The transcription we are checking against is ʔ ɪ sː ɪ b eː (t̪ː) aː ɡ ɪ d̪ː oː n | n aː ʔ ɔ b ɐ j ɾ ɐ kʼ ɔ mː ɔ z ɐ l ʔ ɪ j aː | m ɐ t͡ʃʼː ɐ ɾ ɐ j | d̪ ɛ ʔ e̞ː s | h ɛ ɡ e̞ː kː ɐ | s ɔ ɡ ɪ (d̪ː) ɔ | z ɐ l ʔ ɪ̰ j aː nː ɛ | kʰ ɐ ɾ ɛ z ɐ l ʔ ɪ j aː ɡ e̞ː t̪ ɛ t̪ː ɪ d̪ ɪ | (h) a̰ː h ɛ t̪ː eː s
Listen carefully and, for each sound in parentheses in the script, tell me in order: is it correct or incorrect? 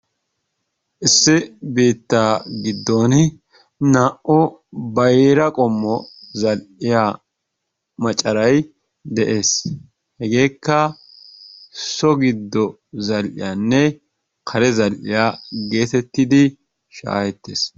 correct, correct, incorrect: ʃ

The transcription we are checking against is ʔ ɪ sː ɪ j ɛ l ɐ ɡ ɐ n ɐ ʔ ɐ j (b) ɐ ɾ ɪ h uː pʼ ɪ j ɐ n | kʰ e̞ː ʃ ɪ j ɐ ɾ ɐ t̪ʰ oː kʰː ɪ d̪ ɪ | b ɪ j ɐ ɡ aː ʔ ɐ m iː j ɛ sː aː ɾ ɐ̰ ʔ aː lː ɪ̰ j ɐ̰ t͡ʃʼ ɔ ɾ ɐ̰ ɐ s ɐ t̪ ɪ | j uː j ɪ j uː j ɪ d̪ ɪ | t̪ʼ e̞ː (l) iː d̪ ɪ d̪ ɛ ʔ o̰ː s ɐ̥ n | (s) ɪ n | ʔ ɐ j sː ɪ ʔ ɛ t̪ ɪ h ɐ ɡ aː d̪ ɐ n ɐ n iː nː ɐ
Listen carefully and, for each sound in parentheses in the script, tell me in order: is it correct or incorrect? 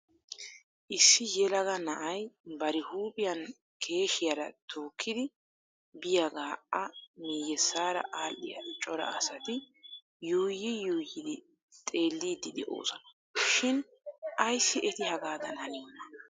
correct, incorrect: lː, incorrect: ʃ

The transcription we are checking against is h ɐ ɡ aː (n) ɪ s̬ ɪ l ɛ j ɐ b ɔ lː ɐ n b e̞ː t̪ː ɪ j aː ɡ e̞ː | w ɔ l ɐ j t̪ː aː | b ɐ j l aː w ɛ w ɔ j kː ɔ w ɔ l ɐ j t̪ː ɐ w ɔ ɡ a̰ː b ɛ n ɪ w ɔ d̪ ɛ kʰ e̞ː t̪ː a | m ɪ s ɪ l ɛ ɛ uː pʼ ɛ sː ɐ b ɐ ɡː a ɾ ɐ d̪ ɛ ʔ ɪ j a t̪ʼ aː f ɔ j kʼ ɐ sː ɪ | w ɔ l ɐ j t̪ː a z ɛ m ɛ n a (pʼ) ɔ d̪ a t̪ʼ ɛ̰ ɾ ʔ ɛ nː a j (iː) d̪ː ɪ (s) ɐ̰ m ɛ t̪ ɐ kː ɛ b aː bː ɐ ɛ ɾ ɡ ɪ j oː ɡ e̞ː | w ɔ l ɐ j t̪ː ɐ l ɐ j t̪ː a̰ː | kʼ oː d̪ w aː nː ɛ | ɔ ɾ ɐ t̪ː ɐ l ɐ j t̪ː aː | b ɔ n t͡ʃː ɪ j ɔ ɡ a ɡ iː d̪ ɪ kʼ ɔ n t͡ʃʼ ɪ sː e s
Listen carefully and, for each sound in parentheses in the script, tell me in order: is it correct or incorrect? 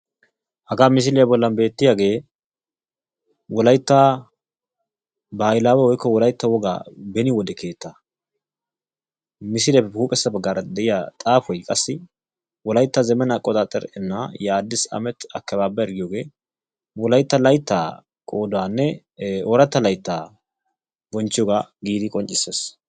incorrect: m, incorrect: kʼ, incorrect: aː, correct

